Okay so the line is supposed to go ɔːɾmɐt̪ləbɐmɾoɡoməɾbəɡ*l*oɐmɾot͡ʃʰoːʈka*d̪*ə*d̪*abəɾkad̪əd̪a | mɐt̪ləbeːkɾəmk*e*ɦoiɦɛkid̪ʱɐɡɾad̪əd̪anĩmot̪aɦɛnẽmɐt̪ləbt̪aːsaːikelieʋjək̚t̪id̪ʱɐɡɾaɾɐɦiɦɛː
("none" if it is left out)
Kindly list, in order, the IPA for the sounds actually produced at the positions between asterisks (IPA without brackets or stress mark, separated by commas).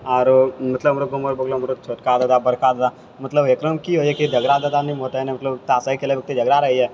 l, d̪, d̪, i